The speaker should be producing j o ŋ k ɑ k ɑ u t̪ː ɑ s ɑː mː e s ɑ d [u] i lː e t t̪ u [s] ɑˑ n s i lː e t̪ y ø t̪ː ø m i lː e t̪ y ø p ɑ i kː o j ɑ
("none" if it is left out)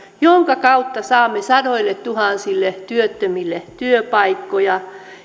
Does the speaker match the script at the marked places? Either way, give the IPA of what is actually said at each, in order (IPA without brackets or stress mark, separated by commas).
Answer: o, h